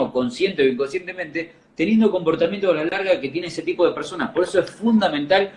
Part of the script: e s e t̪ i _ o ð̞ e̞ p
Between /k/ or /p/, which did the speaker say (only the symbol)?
p